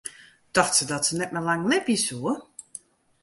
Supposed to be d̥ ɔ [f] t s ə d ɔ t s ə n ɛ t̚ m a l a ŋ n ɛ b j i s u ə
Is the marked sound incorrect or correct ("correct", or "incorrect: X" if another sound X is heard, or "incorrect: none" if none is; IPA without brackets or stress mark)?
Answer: incorrect: x